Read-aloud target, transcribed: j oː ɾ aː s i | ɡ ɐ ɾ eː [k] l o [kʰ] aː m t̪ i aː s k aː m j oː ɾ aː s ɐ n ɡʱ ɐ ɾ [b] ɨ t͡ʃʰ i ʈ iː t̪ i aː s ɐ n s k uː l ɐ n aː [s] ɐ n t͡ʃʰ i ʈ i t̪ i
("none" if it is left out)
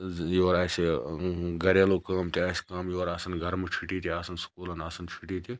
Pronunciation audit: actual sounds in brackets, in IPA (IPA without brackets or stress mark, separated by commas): none, k, m, s